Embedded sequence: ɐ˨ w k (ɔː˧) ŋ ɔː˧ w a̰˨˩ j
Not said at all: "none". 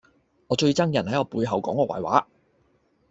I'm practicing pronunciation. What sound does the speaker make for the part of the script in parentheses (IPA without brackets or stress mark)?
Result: ɔː˨˥